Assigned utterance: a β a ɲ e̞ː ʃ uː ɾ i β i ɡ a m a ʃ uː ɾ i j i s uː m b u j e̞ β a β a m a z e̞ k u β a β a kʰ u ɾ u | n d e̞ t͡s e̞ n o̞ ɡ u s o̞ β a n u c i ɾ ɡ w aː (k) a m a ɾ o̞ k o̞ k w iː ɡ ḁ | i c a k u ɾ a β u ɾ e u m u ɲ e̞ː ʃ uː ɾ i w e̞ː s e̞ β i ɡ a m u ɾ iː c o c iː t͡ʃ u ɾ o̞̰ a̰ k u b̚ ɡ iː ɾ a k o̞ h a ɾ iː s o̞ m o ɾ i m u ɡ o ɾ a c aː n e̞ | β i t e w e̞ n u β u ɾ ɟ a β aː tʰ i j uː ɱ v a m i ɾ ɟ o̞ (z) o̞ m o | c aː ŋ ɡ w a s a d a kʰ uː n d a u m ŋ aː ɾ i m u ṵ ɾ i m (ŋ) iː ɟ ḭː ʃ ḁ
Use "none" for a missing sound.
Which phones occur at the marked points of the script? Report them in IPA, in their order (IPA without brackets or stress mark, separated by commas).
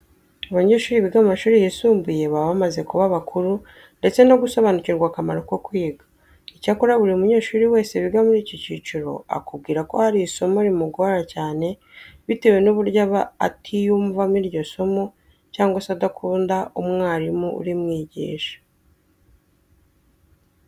k, s, ŋ